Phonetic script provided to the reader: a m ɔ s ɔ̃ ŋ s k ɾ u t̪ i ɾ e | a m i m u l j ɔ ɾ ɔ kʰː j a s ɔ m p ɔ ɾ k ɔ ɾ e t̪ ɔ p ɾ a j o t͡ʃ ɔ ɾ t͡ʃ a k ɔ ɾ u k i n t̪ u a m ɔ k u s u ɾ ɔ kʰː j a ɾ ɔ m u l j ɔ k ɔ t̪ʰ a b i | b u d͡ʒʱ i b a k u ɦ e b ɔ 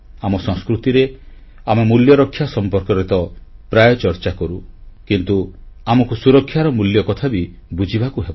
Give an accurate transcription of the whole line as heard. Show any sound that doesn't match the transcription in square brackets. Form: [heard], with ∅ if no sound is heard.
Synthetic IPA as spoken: a m ɔ s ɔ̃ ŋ s k ɾ u t̪ i ɾ e | a m [e] m u l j ɔ ɾ ɔ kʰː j a s ɔ m p ɔ ɾ k ɔ ɾ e t̪ ɔ p ɾ a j [ɔ] t͡ʃ ɔ ɾ t͡ʃ a k ɔ ɾ u k i n t̪ u a m ɔ k u s u ɾ ɔ kʰː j a ɾ ɔ m u l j ɔ k ɔ t̪ʰ a b i | b u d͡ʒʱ i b a k u ɦ e b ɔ